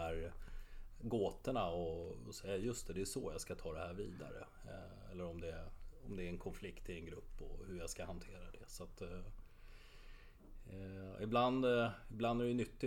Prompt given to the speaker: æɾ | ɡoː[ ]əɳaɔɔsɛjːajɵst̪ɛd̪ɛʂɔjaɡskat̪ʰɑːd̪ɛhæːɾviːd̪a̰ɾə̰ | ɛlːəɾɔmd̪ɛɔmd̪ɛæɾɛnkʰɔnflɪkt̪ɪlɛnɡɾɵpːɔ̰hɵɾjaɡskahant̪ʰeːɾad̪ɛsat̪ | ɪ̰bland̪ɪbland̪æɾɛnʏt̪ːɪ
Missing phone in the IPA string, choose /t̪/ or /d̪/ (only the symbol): t̪